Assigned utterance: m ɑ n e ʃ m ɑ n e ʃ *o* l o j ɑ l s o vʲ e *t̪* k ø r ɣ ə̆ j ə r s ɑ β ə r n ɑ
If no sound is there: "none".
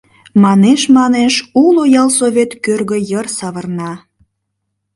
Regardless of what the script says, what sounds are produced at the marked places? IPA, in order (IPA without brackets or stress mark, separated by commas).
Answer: u, t̪